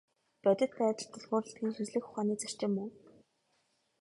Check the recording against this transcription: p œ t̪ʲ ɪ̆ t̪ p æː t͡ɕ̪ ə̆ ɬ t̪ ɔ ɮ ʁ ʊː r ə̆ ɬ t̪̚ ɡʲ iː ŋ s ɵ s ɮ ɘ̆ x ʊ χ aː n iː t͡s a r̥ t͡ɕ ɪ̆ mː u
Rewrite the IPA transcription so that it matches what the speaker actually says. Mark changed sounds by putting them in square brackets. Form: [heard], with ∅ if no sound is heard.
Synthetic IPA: p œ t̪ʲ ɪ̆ t̪ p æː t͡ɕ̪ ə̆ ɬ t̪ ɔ ɮ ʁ ʊː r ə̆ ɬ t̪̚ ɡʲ iː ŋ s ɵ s ɮ ɘ̆ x ʊ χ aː n iː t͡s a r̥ t͡ɕ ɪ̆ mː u